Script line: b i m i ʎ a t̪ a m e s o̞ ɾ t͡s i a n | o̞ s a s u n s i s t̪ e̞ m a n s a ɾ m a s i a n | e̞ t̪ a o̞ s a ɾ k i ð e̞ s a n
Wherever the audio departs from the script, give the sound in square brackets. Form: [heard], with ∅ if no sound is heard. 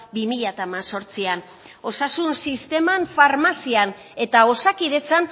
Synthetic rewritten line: b i m i ʎ a t̪ a m [a] s o̞ ɾ t͡s i a n | o̞ s a s u n s i s t̪ e̞ m a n [f] a ɾ m a s i a n | e̞ t̪ a o̞ s a [∅] k i ð e̞ [t͡s] a n

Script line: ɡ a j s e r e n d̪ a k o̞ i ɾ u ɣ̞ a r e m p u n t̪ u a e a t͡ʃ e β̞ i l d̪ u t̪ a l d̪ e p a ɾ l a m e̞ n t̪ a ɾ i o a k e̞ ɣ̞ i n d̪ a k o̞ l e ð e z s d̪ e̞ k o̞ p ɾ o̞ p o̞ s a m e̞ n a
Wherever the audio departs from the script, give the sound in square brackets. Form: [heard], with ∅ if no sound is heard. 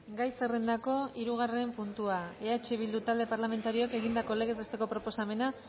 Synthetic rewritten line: ɡ a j s e r e n d̪ a k o̞ i ɾ u ɣ̞ a r e m p u n t̪ u a e a t͡ʃ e β̞ i l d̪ u t̪ a l d̪ e p a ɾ l a m e̞ n t̪ a ɾ i o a k e̞ ɣ̞ i n d̪ a k o̞ l e [ɣ] e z s [t̪] e̞ k o̞ p ɾ o̞ p o̞ s a m e̞ n a

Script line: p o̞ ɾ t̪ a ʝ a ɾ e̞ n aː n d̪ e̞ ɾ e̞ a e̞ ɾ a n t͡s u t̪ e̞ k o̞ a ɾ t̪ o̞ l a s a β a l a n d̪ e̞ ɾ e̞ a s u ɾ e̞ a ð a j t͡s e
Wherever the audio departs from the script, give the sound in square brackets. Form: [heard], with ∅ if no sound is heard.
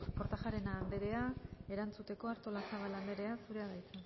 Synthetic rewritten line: p o̞ ɾ t̪ a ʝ a ɾ e̞ n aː n d̪ e̞ ɾ e̞ a e̞ ɾ a n t͡s u t̪ e̞ k o̞ a ɾ t̪ o̞ l a s a β a l a n d̪ e̞ ɾ e̞ a s u ɾ e̞ a ð a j t͡s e

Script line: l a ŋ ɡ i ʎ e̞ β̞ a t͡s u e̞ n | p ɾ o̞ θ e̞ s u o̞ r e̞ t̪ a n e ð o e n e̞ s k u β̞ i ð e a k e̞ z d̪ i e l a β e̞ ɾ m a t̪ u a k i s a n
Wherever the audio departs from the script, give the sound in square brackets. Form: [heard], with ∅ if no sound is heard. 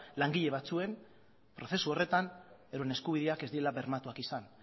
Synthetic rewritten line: l a ŋ ɡ i ʎ e̞ β̞ a t͡s u e̞ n | p ɾ o̞ θ e̞ s u o̞ r e̞ t̪ a n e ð o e n e̞ s k u β̞ i ð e a k e̞ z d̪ i e l a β e̞ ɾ m a t̪ u a k i s a n

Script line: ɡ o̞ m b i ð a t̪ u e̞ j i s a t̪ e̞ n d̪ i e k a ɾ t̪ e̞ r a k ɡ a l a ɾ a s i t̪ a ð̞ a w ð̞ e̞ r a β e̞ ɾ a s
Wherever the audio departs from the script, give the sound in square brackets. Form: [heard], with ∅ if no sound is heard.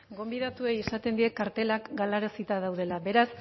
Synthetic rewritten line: ɡ o̞ m b i ð a t̪ u e̞ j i s a t̪ e̞ n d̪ i e k a ɾ t̪ e̞ [l] a k ɡ a l a ɾ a s i t̪ a ð̞ a w ð̞ e̞ [l] a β e̞ ɾ a s

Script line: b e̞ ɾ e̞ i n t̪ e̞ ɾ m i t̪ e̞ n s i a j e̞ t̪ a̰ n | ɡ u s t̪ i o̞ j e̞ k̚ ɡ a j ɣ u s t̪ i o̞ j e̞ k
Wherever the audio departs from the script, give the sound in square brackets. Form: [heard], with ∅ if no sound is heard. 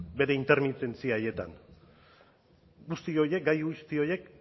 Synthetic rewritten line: b e̞ ɾ e̞ i n t̪ e̞ ɾ m i t̪ e̞ n [t͡s] i a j e̞ t̪ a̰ n | ɡ u s t̪ i o̞ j e̞ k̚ ɡ a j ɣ u s t̪ i o̞ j e̞ k

